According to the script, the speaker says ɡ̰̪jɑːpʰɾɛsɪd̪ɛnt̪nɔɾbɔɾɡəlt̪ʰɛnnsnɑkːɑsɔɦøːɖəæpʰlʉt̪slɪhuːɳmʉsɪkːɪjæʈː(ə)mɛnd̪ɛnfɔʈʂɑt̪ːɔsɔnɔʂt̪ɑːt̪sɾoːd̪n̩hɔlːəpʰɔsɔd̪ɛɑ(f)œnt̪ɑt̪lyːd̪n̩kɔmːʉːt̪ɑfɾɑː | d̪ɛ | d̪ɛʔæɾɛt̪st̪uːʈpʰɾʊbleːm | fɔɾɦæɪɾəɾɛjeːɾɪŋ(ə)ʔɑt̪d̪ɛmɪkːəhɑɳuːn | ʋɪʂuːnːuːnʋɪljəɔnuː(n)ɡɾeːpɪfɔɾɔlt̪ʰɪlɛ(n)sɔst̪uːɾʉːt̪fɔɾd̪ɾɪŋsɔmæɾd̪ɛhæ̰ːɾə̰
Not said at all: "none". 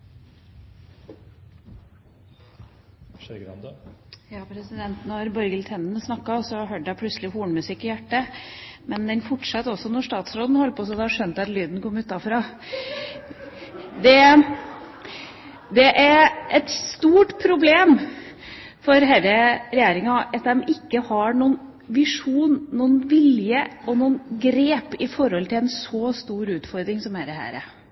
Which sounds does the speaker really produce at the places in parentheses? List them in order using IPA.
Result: ə, ʂ, ɑ, n, n

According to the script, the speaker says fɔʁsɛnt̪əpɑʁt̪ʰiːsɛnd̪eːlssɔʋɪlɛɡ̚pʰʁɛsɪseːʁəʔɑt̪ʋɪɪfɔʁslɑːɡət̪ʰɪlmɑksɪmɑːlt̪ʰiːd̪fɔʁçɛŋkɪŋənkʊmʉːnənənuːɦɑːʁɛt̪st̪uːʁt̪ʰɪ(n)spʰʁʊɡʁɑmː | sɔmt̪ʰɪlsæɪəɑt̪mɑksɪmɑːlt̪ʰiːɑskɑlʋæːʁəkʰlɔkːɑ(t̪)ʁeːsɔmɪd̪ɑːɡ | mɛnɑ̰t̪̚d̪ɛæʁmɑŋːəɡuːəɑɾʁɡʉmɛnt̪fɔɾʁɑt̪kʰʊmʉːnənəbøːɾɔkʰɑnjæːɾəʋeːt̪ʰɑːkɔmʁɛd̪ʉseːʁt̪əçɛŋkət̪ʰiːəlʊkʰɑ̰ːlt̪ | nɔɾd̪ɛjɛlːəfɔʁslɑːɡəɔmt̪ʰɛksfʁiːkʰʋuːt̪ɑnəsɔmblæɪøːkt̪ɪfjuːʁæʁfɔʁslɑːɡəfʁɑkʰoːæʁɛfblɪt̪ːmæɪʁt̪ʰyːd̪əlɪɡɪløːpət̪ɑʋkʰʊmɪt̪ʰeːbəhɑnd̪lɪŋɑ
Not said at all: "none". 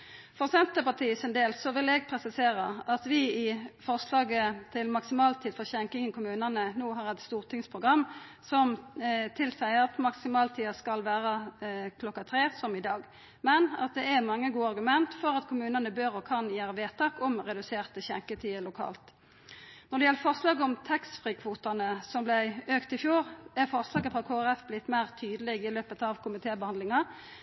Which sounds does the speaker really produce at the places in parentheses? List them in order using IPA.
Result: ŋ, t̪ʰ

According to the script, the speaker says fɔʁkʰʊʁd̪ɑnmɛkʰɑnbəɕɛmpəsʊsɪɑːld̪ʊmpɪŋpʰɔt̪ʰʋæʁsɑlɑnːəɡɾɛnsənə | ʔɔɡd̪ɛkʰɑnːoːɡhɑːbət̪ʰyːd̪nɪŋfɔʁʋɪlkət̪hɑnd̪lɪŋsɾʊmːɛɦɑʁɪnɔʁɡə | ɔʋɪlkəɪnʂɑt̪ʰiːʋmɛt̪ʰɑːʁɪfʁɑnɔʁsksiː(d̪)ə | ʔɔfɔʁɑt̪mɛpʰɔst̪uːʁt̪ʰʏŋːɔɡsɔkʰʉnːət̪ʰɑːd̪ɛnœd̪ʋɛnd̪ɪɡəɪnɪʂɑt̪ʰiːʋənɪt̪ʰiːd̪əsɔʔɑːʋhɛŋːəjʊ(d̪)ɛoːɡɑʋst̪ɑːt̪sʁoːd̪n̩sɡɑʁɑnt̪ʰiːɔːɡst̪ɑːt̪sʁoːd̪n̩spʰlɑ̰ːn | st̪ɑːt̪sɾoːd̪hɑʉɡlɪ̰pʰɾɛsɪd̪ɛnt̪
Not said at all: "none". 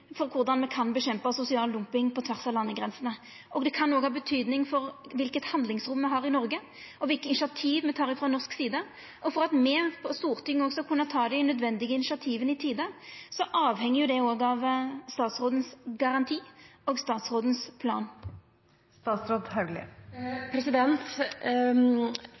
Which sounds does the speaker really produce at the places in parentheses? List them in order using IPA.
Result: d̪, d̪

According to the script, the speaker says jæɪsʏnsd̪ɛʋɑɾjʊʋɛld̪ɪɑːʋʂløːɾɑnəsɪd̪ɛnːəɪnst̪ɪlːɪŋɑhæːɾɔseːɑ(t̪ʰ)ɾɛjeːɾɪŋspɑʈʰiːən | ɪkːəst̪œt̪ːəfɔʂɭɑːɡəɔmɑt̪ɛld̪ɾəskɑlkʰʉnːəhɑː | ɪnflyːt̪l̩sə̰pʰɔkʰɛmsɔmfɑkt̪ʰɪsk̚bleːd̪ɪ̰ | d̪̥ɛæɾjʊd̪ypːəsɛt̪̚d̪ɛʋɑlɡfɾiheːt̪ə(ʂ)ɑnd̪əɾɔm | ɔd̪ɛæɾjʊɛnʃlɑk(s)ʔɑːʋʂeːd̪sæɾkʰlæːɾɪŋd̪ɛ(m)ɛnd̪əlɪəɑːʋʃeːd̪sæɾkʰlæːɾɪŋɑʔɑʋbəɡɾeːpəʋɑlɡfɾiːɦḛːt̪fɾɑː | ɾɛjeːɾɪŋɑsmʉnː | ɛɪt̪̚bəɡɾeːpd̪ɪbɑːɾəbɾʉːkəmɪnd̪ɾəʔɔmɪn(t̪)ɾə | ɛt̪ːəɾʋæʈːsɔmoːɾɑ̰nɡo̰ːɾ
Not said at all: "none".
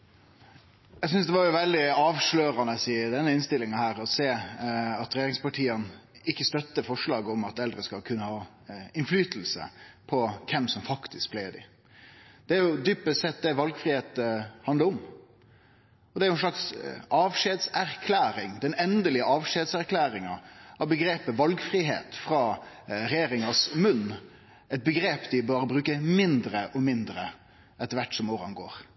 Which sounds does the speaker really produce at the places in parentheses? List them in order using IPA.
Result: t̪, h, s, n, d̪

